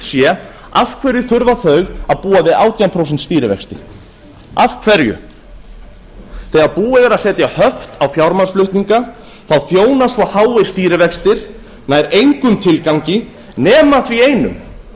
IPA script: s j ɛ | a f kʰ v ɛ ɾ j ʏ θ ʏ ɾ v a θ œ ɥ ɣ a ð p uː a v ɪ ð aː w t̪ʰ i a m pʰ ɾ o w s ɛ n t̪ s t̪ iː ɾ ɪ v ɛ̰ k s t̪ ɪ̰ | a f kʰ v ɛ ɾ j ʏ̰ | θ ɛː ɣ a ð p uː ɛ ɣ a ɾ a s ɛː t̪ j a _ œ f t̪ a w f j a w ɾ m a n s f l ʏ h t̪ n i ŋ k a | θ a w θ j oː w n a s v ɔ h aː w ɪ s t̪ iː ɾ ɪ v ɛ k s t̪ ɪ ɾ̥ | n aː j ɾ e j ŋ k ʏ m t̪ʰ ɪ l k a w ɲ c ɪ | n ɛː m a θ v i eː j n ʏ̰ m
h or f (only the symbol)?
h